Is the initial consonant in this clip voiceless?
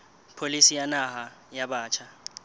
yes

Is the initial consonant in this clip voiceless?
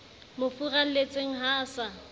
no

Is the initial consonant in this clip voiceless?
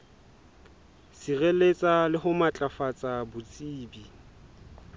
yes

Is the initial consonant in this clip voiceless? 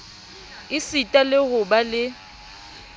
yes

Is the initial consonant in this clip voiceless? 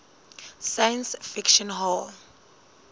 yes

